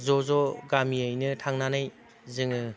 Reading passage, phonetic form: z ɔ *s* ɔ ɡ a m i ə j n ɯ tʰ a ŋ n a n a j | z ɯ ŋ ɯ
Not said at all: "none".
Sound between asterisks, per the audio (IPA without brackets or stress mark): z